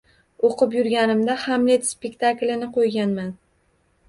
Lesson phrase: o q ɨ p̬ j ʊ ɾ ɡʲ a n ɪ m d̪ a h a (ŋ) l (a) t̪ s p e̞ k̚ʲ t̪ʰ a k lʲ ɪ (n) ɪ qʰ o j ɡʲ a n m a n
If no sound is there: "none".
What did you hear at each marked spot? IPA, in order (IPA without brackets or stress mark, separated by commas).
m, e, n